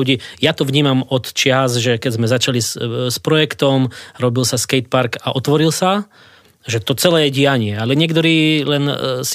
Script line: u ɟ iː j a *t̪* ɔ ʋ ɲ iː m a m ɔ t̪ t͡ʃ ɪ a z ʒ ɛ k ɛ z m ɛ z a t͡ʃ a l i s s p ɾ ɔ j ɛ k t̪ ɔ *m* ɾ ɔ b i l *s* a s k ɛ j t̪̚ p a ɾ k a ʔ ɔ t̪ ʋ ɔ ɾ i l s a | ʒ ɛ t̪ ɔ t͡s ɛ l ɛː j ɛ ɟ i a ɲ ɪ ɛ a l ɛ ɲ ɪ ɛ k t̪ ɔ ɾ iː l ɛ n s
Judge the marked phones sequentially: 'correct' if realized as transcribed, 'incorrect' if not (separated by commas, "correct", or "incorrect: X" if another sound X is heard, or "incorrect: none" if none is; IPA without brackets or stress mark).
correct, correct, correct